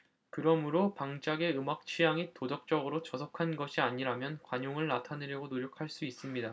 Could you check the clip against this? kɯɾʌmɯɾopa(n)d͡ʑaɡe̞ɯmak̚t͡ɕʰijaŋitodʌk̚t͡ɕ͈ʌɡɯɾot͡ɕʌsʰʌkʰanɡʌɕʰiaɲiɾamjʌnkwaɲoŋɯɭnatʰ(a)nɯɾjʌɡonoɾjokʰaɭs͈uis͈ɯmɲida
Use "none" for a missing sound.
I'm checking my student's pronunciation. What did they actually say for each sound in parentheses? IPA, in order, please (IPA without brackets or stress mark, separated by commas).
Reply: ŋ, a